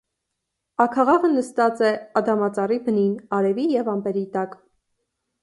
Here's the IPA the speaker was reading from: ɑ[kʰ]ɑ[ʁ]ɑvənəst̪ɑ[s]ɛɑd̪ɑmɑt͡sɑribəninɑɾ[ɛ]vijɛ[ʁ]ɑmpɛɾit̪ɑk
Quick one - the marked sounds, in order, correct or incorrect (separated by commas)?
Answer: correct, correct, incorrect, correct, incorrect